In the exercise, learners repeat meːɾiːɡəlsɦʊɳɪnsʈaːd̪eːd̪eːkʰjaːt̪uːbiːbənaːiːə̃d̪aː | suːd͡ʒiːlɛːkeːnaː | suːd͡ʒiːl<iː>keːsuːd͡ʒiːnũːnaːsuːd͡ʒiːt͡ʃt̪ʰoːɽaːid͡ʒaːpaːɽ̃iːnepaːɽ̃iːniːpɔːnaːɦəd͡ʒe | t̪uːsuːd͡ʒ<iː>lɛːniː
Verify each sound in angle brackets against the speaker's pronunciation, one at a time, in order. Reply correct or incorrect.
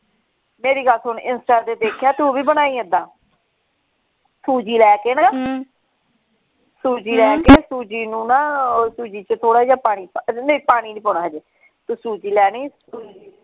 incorrect, correct

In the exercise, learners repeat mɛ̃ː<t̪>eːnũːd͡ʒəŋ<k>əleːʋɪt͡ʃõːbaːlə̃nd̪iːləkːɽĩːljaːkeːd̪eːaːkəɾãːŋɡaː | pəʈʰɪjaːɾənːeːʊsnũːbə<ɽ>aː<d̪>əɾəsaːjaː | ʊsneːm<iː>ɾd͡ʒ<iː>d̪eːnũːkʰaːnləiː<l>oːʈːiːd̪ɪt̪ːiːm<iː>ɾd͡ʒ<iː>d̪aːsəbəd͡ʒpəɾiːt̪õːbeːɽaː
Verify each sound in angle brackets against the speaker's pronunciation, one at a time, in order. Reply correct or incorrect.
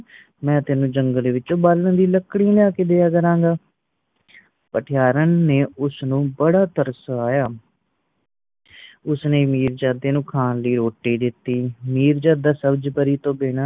correct, incorrect, correct, incorrect, correct, incorrect, incorrect, correct, incorrect

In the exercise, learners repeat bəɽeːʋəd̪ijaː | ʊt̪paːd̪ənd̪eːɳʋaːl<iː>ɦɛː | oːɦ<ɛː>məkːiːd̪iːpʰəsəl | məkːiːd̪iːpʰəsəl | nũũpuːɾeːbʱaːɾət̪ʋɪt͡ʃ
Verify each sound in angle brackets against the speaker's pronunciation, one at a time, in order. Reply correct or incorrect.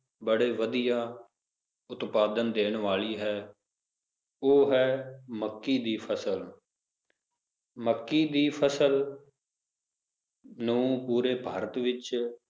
correct, correct

